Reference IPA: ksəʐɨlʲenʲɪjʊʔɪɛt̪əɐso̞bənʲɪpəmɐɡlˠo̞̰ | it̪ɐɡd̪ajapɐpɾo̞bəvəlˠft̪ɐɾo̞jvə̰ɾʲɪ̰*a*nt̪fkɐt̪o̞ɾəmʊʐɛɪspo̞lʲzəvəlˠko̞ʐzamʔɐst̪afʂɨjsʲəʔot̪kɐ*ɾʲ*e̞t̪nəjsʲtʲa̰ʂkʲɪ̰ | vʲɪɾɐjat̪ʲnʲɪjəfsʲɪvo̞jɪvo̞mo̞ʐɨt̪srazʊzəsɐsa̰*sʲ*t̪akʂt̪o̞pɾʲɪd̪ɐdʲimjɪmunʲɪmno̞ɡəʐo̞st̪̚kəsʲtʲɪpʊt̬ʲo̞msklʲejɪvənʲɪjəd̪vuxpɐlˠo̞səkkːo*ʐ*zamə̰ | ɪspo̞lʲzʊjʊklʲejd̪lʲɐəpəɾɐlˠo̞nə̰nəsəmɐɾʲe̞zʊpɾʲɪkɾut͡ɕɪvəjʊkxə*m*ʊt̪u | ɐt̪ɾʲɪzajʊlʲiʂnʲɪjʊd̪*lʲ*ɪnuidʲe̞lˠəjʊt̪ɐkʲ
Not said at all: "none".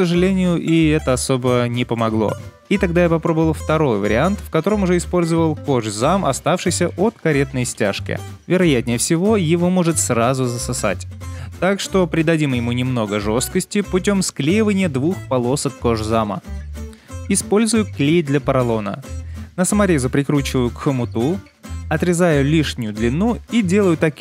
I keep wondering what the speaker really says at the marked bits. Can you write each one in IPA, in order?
a, ɾʲ, tʲ, ʐ, m, lʲ

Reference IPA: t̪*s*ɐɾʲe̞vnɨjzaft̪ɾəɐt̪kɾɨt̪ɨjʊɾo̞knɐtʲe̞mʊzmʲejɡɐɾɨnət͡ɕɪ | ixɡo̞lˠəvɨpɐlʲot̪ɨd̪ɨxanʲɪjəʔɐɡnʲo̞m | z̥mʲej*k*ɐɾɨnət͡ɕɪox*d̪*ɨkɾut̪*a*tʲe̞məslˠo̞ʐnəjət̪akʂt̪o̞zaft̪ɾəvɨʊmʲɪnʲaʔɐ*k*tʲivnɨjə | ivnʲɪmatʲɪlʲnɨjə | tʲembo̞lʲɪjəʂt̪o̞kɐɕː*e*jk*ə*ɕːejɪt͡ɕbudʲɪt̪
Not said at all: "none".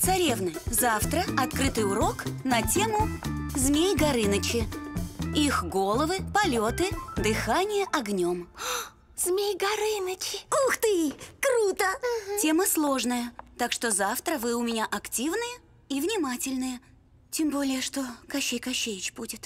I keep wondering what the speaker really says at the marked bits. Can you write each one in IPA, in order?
s, ɡ, t̪, ə, k, e, ɐ

